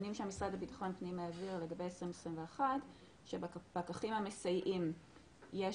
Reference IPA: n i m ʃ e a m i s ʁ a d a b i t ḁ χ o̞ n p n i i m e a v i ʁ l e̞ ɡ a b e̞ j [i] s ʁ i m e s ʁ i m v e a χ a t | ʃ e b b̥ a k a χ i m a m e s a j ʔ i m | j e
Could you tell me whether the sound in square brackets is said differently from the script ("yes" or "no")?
yes